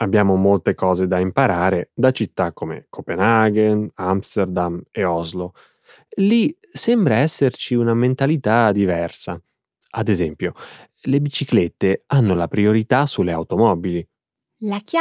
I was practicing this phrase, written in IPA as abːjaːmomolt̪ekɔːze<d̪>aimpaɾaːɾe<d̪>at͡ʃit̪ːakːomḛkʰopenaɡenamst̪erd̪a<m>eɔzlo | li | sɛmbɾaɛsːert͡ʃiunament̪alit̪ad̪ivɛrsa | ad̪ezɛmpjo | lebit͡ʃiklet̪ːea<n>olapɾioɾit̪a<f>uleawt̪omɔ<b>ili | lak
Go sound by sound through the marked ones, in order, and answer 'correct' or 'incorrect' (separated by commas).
correct, correct, correct, incorrect, incorrect, correct